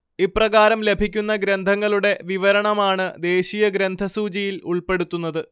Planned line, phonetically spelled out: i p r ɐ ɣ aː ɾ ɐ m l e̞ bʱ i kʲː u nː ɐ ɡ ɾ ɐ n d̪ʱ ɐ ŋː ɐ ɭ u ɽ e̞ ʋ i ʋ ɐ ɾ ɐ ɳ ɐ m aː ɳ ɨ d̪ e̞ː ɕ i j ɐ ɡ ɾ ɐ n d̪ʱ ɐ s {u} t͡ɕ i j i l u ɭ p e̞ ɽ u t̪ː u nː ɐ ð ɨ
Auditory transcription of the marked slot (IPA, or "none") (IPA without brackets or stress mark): uː